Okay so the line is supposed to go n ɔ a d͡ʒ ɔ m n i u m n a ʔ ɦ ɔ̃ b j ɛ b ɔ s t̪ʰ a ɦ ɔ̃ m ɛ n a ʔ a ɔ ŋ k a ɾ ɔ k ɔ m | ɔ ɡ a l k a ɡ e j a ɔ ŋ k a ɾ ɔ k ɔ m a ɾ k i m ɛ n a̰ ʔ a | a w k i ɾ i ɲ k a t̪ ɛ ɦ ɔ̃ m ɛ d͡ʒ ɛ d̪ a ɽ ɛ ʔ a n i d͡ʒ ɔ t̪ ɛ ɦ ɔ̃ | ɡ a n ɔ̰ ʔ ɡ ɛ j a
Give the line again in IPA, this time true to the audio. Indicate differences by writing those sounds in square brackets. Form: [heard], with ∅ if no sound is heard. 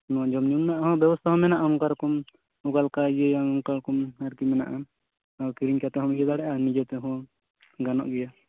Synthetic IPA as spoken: n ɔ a d͡ʒ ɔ m n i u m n a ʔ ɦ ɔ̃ b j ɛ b ɔ s t̪ʰ a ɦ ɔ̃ m ɛ n a ʔ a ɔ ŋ k a ɾ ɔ k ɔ m | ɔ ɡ a l k a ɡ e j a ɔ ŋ k a ɾ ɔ k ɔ m a ɾ k i m ɛ n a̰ ʔ a | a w k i ɾ i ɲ k a t̪ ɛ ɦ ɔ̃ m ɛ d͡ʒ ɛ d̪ a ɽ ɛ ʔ a n i d͡ʒ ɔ t̪ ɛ ɦ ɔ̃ | ɡ a n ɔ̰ ʔ ɡ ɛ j a